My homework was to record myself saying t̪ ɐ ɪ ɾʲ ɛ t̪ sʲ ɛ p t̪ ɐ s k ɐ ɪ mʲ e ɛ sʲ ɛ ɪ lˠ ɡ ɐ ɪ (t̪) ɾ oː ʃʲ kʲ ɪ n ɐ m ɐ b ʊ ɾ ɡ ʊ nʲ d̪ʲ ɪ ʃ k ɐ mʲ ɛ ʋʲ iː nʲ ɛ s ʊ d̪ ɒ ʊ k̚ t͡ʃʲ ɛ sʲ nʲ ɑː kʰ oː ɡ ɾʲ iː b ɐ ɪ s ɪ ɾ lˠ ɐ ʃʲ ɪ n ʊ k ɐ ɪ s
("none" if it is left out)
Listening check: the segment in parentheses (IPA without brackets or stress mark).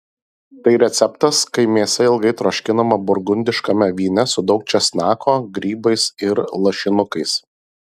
t̪